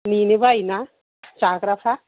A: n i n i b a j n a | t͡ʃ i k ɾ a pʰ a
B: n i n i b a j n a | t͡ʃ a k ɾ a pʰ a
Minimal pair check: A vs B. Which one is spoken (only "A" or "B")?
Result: B